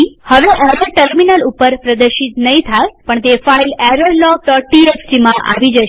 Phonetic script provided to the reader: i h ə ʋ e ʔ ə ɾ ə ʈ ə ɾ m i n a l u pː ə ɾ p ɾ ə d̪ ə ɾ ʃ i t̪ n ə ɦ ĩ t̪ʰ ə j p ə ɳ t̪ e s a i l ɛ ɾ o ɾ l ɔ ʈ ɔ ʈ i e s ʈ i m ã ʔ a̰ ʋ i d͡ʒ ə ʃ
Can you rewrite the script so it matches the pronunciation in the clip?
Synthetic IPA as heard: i h ə ʋ e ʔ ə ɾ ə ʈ ə ɾ m i n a l u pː ə ɾ p ɾ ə d̪ ə ɾ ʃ i t̪ n ə ɦ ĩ t̪ʰ a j p ə ɳ t̪ e f a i l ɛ ɾ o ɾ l ɔ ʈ ɔ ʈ i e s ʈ i m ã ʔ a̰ ʋ i d͡ʒ ə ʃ